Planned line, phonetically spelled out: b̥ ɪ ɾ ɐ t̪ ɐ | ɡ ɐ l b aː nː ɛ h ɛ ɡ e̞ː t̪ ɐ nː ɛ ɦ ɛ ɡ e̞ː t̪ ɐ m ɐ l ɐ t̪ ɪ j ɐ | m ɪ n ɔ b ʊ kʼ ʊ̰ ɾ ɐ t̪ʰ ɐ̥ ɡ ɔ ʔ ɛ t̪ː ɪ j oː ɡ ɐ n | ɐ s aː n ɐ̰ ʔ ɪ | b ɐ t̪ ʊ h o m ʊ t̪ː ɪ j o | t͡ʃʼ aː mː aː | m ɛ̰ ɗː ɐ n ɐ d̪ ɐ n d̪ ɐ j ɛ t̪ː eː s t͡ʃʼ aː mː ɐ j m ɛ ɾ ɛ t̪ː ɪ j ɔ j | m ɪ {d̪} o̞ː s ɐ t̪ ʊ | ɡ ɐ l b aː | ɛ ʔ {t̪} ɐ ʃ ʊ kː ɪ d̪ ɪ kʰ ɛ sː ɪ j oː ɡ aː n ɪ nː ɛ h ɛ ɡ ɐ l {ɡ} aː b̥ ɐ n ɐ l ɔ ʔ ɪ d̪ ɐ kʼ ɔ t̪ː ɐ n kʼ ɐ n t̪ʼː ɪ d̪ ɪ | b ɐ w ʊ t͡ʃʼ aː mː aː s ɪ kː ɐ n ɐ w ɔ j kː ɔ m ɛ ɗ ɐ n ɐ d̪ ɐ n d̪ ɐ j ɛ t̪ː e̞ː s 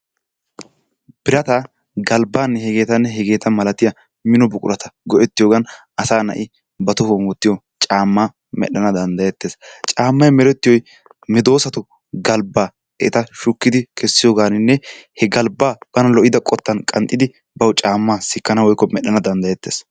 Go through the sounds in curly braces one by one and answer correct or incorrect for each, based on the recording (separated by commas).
correct, correct, incorrect